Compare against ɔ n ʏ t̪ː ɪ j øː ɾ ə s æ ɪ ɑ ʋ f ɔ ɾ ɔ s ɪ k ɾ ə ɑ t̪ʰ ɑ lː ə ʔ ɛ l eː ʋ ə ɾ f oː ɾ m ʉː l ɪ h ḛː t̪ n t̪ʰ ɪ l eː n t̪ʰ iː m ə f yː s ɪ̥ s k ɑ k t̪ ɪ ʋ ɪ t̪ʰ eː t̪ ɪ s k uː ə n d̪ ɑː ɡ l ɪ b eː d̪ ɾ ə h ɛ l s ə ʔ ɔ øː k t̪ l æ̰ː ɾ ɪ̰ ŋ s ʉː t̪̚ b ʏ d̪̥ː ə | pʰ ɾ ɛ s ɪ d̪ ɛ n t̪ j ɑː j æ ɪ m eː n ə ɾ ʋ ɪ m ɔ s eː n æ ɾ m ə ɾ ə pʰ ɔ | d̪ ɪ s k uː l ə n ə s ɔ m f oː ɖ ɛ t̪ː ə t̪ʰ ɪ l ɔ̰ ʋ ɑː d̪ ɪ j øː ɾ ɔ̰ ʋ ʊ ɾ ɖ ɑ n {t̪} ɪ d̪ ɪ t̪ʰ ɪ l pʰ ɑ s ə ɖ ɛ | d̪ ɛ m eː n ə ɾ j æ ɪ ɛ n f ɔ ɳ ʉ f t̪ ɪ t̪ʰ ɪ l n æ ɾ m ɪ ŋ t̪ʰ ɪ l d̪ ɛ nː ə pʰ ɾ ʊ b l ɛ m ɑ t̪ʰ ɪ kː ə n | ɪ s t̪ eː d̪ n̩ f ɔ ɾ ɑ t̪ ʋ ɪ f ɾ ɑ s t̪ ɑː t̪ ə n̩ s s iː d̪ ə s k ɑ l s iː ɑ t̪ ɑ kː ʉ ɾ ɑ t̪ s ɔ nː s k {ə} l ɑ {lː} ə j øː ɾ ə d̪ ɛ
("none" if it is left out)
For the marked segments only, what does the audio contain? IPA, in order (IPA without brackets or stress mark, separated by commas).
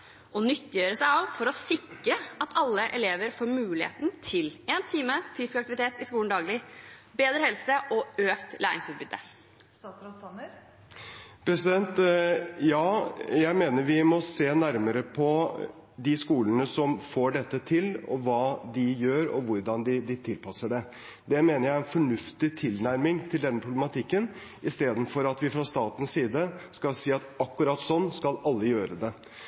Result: d̪, ɑ, lː